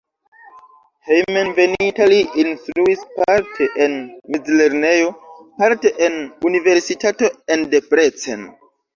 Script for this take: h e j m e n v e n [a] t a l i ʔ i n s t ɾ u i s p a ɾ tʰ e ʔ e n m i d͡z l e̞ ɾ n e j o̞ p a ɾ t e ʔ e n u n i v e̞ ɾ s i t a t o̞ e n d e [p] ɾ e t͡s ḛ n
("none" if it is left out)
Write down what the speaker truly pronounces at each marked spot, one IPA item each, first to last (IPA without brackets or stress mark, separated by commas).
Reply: i, p